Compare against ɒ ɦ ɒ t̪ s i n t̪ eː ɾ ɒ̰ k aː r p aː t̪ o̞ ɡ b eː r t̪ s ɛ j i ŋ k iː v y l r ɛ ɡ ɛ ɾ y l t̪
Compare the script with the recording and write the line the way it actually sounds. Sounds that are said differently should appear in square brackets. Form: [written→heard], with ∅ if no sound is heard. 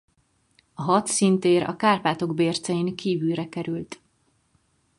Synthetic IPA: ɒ ɦ ɒ t̪ s i n t̪ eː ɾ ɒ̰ k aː r p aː t̪ o̞ ɡ b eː r t̪ s ɛ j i ŋ k iː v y l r ɛ [ɡ→k] ɛ ɾ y l t̪